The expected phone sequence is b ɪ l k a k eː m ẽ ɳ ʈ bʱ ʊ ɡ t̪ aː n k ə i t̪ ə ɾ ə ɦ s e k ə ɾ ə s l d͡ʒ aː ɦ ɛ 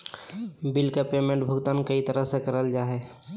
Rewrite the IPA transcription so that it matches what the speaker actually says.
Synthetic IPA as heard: b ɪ l k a p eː m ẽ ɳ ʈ bʱ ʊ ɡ t̪ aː n k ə i t̪ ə ɾ ə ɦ s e k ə ɾ ə l d͡ʒ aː ɦ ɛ